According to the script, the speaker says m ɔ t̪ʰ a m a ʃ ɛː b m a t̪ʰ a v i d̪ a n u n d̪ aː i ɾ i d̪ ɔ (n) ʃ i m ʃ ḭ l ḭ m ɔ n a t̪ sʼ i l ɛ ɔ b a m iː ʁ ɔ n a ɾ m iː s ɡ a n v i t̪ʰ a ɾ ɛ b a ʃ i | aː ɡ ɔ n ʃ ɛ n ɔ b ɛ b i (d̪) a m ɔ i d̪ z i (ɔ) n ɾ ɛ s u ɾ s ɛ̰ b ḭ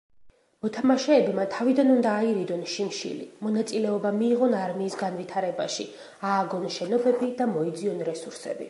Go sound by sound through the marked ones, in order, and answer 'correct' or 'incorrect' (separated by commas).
correct, correct, correct